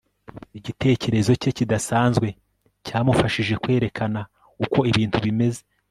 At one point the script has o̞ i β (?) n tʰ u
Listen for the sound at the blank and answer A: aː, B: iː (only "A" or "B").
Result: B